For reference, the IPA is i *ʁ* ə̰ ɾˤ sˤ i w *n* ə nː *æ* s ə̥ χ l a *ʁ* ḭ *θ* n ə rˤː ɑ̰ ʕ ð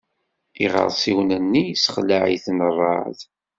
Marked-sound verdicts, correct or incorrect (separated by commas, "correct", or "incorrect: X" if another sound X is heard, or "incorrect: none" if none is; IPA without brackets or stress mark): correct, correct, incorrect: i, incorrect: ʕ, correct